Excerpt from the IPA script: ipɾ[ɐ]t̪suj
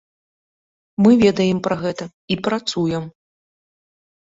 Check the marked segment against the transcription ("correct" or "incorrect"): incorrect